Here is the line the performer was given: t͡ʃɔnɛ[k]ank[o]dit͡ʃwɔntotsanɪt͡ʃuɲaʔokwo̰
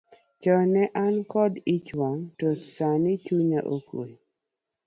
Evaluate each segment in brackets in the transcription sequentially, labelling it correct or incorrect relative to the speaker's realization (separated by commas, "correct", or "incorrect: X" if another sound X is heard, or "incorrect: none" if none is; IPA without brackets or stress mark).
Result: incorrect: ʔ, incorrect: ɔ